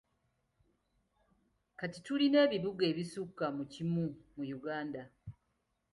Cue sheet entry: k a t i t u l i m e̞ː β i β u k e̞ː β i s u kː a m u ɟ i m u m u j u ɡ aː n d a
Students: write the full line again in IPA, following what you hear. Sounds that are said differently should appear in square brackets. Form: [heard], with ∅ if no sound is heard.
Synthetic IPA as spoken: k a t i t u l i [n] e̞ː β i β u [ɡ] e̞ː β i s u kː a m u [c] i m u m u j u ɡ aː n d a